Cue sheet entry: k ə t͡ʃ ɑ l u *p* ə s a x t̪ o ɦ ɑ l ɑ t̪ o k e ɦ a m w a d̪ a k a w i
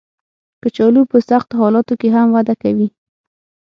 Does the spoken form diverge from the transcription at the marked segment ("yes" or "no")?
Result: no